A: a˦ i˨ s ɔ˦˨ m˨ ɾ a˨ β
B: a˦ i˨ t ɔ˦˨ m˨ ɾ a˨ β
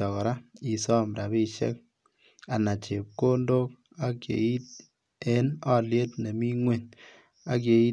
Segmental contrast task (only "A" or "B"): A